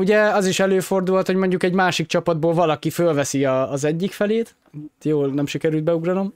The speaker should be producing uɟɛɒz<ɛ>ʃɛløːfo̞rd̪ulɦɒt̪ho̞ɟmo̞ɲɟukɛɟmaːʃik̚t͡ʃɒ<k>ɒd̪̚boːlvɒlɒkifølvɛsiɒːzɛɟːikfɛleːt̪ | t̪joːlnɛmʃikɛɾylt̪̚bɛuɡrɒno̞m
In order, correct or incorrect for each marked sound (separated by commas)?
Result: incorrect, incorrect